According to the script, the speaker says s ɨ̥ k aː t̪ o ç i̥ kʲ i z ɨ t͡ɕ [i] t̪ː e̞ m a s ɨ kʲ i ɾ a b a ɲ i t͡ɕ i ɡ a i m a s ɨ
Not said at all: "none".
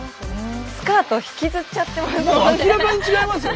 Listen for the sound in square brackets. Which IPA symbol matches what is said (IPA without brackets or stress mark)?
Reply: a